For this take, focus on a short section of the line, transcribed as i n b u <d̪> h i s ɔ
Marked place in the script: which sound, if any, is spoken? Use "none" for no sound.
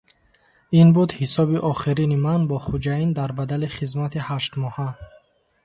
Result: d̪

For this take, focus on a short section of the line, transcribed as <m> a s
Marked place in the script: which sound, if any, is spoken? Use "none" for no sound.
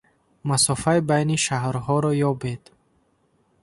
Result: m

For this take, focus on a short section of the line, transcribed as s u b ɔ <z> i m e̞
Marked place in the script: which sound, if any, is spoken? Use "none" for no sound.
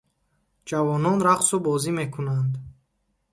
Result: z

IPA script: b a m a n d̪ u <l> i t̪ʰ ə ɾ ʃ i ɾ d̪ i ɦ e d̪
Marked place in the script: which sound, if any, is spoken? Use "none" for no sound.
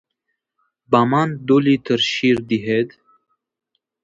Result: l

